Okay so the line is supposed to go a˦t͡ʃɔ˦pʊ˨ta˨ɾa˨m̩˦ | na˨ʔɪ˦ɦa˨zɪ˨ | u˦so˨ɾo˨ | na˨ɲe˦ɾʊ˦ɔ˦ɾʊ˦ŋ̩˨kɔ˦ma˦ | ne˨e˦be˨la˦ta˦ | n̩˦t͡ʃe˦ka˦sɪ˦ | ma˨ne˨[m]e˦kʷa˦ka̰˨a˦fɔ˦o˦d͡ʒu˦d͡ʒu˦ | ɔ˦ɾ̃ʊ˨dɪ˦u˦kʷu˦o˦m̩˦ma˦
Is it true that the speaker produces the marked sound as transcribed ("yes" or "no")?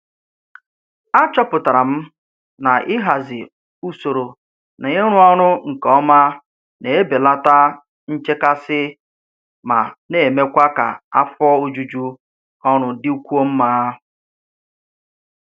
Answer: yes